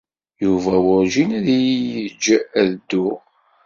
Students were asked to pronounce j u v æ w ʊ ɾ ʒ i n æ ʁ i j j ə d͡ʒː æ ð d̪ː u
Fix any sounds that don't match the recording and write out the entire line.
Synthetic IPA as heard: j u v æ w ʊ ɾ ʒ i n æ ð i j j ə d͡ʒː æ ð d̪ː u